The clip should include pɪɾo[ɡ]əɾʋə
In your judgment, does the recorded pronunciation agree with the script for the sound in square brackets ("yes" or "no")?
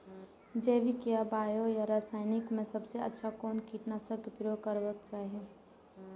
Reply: no